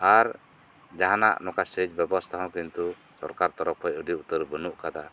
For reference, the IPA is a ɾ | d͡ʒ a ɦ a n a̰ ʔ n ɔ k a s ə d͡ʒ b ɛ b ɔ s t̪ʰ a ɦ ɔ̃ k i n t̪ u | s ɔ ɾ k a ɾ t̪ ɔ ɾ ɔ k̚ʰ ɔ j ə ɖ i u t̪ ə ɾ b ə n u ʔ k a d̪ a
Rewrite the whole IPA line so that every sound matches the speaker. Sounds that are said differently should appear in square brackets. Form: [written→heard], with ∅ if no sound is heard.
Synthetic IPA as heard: a ɾ | d͡ʒ a ɦ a n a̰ ʔ n ɔ k a s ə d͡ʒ b ɛ b ɔ s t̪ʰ a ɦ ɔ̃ k i n t̪ u | s ɔ ɾ k a ɾ t̪ ɔ ɾ ɔ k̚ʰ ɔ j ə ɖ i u t̪ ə ɾ b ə n u ʔ k a d̪ a